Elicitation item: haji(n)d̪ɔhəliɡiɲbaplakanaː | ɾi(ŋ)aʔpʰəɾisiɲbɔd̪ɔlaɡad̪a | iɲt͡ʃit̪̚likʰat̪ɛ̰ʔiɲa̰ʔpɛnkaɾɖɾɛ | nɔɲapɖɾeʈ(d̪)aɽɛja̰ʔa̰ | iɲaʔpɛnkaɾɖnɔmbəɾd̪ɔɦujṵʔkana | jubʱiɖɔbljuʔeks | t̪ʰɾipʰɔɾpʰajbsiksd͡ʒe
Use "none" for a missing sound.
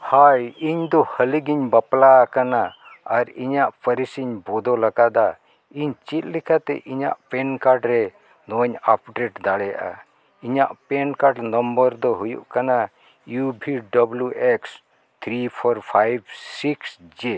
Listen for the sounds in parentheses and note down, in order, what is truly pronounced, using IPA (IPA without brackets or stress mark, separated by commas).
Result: ɲ, ɲ, d̪